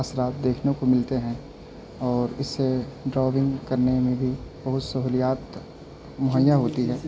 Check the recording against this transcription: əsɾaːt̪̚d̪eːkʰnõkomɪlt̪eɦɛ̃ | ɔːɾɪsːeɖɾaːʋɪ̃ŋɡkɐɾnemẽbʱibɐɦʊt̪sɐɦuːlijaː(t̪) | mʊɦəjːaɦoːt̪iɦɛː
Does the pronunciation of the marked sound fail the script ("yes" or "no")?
no